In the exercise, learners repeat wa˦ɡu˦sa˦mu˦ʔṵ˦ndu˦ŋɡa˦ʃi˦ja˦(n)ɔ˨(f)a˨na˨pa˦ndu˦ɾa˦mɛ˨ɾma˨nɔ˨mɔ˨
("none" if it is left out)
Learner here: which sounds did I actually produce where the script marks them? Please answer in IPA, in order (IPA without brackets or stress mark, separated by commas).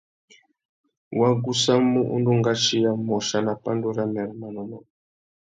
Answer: m, ʃ